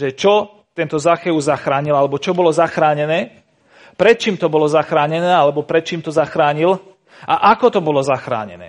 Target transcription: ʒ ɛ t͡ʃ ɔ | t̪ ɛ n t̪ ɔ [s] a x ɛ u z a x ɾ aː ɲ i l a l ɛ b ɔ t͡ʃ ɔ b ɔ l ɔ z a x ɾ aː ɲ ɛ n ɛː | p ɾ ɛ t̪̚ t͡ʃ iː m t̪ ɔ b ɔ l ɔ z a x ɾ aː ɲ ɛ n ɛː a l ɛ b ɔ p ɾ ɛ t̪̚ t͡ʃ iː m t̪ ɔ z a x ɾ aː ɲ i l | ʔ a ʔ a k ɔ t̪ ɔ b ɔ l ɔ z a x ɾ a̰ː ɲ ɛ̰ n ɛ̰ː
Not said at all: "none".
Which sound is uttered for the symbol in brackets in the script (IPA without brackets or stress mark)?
z